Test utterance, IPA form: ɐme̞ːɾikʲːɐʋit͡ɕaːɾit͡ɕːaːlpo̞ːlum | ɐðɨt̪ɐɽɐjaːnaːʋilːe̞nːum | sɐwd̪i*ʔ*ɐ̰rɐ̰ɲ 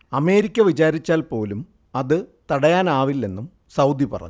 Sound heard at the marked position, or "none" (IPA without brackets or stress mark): p